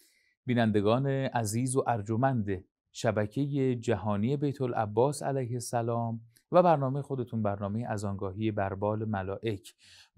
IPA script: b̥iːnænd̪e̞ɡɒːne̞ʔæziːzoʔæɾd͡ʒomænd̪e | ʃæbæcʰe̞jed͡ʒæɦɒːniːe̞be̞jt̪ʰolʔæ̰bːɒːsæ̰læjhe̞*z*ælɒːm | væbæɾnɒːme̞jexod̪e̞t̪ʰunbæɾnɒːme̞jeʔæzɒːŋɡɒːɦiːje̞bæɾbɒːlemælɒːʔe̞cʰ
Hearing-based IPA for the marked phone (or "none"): s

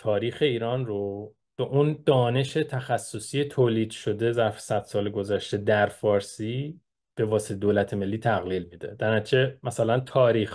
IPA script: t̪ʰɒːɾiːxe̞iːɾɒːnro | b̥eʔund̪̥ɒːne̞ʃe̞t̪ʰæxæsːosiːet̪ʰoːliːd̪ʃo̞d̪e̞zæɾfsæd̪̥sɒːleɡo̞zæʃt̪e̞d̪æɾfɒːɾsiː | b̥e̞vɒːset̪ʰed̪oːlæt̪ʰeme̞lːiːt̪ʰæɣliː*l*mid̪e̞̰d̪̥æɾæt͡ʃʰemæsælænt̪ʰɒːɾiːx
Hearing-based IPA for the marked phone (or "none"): l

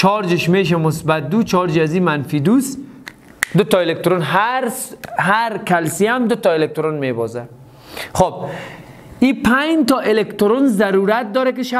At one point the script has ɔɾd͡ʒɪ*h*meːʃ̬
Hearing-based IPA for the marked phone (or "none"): ʃ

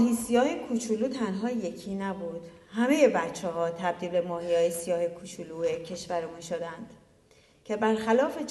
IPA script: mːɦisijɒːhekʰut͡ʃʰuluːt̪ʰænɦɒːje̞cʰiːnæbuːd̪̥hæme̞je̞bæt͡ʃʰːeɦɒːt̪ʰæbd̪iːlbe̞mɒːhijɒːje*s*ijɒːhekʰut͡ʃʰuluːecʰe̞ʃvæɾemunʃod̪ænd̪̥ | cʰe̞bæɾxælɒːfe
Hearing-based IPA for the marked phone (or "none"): s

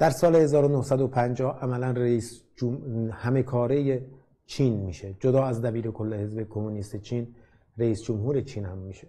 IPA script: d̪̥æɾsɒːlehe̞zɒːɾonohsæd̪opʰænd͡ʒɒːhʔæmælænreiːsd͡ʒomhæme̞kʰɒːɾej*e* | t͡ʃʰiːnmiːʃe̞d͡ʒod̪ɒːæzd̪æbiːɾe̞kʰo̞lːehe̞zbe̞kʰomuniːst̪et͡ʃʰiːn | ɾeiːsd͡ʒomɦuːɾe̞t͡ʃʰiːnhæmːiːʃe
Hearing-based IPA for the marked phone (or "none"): e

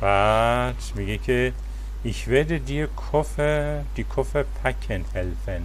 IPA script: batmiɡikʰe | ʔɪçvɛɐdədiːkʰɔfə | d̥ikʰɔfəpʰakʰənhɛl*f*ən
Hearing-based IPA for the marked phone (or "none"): f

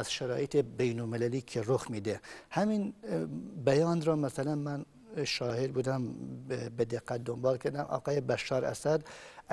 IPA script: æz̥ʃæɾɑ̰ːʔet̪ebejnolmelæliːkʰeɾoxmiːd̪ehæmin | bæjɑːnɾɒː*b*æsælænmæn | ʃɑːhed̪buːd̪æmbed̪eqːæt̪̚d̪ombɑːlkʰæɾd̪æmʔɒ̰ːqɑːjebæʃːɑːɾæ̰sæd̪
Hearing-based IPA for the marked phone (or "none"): m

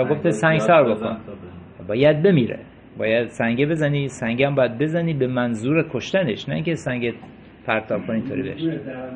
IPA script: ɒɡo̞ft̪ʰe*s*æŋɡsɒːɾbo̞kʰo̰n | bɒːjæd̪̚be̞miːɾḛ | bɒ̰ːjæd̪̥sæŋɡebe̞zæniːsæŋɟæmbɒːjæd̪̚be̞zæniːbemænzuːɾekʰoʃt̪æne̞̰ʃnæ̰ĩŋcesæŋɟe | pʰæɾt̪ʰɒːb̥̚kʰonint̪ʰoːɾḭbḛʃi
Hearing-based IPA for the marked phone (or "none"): s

